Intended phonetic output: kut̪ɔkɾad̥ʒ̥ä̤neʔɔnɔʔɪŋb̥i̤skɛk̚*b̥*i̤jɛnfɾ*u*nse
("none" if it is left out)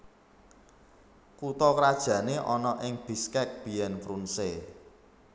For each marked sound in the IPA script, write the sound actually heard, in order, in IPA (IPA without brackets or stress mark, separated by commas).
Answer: b̥, u